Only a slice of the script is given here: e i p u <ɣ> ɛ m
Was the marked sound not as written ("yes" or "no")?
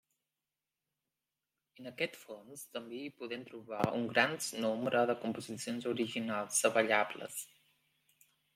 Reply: yes